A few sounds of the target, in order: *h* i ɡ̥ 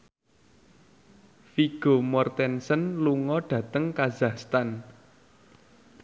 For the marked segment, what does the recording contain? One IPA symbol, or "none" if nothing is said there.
f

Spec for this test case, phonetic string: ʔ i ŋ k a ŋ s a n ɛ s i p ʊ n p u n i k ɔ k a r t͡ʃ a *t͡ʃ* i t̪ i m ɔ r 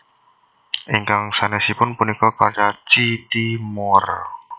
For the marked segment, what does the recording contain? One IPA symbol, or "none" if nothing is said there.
t͡ʃ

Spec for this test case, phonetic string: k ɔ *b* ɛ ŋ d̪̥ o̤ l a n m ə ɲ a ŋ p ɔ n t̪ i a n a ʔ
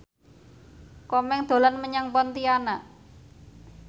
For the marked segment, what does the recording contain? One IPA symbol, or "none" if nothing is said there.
m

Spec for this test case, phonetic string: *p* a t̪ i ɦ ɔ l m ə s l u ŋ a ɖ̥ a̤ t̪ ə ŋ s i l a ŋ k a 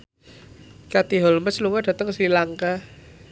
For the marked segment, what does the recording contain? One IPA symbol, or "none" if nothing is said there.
k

